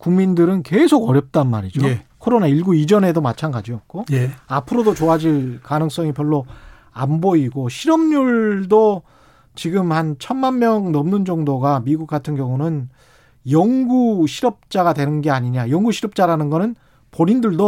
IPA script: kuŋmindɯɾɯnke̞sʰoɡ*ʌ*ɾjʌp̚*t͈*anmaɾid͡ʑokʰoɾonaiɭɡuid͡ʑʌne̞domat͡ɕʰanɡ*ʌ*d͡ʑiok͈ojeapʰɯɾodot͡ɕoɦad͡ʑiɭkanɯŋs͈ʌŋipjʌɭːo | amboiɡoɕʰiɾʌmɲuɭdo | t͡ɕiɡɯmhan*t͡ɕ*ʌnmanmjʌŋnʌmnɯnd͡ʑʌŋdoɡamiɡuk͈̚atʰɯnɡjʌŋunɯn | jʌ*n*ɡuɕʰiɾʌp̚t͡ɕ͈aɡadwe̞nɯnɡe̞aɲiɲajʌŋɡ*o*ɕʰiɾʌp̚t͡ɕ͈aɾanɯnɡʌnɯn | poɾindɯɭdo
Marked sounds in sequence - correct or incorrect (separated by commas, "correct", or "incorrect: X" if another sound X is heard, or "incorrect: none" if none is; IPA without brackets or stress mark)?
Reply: correct, correct, incorrect: a, incorrect: t͡ɕʰ, incorrect: ŋ, incorrect: u